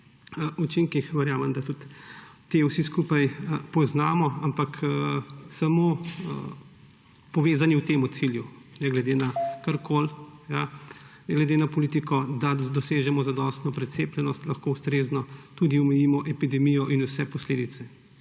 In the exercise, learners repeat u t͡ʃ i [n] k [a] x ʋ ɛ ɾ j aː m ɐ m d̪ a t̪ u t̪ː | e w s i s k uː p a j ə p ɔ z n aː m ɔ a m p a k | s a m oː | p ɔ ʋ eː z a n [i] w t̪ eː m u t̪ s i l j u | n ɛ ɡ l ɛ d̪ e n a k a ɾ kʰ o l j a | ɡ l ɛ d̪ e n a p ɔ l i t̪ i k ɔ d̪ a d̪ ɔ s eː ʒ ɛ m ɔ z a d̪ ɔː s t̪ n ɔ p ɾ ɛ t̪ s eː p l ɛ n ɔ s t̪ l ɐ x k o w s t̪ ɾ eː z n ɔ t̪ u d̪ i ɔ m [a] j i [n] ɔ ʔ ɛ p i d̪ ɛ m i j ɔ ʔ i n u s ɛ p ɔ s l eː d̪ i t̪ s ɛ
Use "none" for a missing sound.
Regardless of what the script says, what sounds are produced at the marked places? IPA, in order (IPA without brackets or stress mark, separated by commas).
ŋ, i, i, ɛ, m